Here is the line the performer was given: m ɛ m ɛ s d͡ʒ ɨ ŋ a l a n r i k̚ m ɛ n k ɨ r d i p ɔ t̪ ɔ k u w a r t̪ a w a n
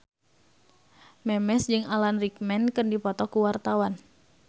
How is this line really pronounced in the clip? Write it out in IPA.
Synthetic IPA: m ɛ m ɛ s d͡ʒ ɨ ŋ a l a n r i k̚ m ɛ n k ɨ r d i p ɔ t̪ ɔ k u w a r t̪ a w a n